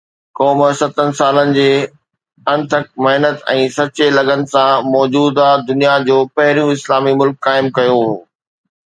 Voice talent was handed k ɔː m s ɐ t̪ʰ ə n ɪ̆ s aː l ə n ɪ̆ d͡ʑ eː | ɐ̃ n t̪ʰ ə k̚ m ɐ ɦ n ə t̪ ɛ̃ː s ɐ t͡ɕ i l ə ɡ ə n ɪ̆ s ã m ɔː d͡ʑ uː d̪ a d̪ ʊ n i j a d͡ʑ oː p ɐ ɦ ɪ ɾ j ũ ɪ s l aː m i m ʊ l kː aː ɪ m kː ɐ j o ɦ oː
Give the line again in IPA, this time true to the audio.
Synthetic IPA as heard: k ɔː m s ɐ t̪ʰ ə n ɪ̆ s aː l ə n ɪ̆ d͡ʑ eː | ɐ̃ n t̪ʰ ə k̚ m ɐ ɦ n ə t̪ ɛ̃ː s ɐ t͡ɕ e l ɐ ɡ ə n ɪ̆ s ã m ɔː d͡ʑ uː d̪ a d̪ ʊ n i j a d͡ʑ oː p ɐ ɦ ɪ ɾ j ũ ɪ s l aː m i m ʊ l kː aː ɪ m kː ɐ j o ɦ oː